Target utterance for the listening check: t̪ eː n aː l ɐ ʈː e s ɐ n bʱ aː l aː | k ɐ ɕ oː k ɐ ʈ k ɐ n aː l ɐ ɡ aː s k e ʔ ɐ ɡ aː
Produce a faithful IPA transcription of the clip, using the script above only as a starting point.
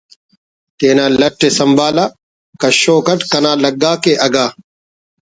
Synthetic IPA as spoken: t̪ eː n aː l ɐ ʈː e s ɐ m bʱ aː l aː | k ɐ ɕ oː k ɐ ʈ k ɐ n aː l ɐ ɡ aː k e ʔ ɐ ɡ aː

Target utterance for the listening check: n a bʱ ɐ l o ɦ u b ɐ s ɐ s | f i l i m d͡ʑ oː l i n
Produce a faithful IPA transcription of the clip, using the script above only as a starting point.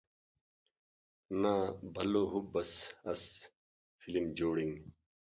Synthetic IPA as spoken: n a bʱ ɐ l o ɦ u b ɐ s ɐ s | f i l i m d͡ʑ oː ɽ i ŋ

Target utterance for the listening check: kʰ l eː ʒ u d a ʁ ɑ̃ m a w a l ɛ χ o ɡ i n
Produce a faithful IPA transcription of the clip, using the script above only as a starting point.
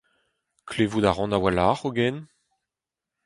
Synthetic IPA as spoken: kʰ l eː v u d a ʁ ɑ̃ n a w a l a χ o ɡ ɛ n

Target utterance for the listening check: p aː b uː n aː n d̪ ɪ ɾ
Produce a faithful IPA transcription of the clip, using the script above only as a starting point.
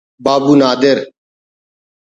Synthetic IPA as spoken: b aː b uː n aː d̪ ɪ ɾ

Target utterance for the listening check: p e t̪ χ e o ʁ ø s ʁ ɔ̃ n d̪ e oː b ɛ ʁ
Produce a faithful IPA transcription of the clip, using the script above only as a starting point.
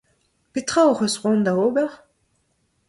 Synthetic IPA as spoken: p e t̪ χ a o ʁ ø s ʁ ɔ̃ n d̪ a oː b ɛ ʁ

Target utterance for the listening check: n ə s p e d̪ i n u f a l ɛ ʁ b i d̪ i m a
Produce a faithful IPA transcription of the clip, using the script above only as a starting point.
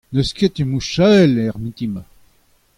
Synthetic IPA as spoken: n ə s k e t̪ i m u ʃ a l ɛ ʁ m i t̪ i m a

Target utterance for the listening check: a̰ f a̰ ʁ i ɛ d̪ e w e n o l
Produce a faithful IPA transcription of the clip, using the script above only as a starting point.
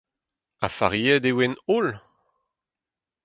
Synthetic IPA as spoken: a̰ f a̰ ʁ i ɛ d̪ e w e n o l

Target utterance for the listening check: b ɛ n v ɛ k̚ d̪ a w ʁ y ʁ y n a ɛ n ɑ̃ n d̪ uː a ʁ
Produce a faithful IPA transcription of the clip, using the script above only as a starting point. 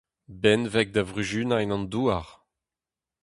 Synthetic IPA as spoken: b ɛ n v ɛ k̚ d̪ a v ʁ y ʒ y n a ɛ n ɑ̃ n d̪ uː a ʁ

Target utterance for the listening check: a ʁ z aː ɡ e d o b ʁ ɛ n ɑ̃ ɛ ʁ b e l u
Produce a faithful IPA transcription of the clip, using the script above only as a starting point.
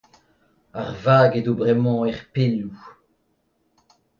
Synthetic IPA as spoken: a ʁ v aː ɡ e d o b ʁ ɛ m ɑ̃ ɛ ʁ p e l u

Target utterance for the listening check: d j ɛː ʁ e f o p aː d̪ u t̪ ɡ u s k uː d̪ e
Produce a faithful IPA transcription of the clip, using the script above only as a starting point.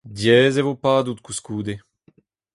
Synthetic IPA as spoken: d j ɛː z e v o p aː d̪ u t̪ k u s k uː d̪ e

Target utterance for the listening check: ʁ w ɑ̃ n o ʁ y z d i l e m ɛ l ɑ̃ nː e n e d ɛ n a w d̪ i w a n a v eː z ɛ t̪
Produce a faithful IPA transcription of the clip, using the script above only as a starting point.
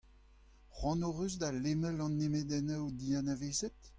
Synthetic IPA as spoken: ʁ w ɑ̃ n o ʁ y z d a l e m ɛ l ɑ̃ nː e m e d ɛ n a w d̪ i a n a v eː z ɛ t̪

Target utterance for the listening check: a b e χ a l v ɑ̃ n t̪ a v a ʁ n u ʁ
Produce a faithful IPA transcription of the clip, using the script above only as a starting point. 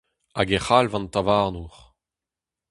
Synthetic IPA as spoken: a ɡ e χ a l v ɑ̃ n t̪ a v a ʁ n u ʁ

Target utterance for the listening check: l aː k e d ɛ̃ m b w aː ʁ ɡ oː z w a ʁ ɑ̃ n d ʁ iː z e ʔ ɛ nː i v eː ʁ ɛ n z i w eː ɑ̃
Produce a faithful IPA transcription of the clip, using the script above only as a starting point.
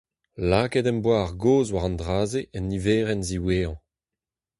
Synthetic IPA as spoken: l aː k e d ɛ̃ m b w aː ʁ ɡ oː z w a ʁ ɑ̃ n d ʁ aː z e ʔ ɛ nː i v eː ʁ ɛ n z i w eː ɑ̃

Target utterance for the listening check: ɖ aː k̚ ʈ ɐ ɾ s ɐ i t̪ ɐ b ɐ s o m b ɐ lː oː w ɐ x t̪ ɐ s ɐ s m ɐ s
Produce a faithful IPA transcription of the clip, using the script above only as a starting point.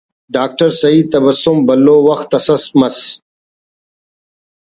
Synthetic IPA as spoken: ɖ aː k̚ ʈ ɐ ɾ s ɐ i t̪ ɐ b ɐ s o m b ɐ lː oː w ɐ x t̪ ɐ s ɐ s m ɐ s

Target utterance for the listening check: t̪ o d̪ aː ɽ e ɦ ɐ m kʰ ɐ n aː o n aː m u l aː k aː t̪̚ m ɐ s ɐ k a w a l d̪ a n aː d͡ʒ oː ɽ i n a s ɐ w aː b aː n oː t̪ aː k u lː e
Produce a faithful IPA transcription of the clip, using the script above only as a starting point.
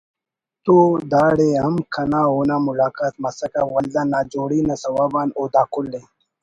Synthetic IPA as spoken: t̪ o d̪ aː ɽ e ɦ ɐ m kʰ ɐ n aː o n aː m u l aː k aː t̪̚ m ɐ s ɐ k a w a l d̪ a n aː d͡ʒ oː ɽ i n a s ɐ w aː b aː n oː d̪ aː k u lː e

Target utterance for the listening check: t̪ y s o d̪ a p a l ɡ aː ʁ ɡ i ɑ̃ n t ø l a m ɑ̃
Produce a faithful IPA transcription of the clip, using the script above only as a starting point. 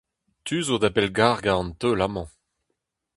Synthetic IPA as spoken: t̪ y z o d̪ a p ɛ l ɡ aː ʁ ɡ a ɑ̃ n t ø l a m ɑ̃

